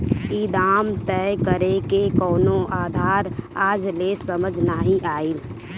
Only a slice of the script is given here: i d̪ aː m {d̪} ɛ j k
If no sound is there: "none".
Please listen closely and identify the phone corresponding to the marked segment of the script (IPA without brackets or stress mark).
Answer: t̪